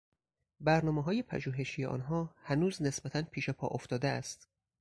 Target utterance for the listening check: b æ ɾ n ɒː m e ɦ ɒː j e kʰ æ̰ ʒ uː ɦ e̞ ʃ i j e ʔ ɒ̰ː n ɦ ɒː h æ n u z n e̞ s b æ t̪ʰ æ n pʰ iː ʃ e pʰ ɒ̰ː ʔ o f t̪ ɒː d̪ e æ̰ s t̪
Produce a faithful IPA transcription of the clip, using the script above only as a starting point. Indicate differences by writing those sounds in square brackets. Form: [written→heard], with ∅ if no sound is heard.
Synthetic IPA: b æ ɾ n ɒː m e ɦ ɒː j e [kʰ→pʰ] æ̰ ʒ uː ɦ e̞ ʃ i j e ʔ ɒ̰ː n ɦ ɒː h æ n [u→uː] z n e̞ s b æ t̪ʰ æ n pʰ iː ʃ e pʰ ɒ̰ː ʔ o f t̪ ɒː d̪ e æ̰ s t̪